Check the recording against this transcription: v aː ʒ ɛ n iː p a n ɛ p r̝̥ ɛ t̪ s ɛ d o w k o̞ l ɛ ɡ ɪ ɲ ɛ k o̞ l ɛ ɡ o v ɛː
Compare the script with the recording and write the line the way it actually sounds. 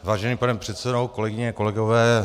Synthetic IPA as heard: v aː ʒ ɛ n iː p a n ɛ p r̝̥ ɛ t̪ s ɛ d o w k o̞ l ɛ ɡ ɪ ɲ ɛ k o̞ l ɛ ɡ o v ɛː